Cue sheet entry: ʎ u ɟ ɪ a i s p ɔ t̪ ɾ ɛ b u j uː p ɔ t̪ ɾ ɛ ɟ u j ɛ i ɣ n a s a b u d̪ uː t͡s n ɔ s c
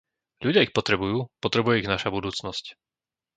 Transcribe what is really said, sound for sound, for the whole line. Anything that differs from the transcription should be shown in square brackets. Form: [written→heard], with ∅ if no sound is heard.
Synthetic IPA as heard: ʎ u ɟ ɪ a i [s→x] p ɔ t̪ ɾ ɛ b u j uː p ɔ t̪ ɾ ɛ [ɟ→b] u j ɛ i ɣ n a [s→ʃ] a b u d̪ uː t͡s n ɔ s c